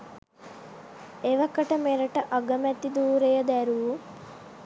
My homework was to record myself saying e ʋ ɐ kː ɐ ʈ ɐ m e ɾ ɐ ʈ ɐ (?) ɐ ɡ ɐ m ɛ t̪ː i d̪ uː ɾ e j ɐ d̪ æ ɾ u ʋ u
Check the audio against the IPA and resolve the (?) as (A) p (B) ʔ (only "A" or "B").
B